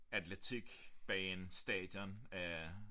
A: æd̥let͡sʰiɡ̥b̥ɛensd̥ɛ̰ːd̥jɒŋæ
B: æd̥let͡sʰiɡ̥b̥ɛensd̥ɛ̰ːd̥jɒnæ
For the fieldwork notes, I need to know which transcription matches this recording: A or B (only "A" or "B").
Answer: B